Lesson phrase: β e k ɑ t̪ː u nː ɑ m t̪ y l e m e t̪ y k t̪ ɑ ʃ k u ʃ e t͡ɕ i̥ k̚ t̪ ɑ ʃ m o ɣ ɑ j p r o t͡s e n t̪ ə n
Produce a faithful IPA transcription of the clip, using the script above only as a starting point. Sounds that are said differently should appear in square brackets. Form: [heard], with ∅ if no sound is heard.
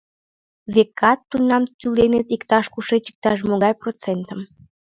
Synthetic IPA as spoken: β e k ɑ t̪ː u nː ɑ m t̪ y l e [n] e t̪ [i] k t̪ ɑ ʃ k u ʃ e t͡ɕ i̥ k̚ t̪ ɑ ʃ m o ɣ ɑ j p r o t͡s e n t̪ ə [m]